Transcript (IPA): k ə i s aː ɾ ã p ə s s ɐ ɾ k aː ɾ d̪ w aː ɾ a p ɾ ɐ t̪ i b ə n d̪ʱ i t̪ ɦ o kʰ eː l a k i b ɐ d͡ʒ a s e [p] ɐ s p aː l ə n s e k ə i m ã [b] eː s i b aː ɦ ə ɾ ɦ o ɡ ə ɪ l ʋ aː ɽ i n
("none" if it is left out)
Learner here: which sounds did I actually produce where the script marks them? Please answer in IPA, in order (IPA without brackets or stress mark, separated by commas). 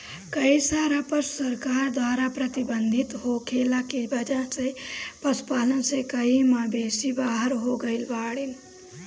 p, b